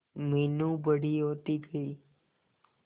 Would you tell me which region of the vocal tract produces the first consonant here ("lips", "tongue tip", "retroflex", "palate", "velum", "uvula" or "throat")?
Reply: lips